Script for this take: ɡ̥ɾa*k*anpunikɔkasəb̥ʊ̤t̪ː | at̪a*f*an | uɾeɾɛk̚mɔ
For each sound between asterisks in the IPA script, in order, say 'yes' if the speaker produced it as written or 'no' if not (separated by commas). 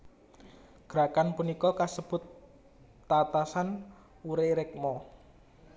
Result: yes, no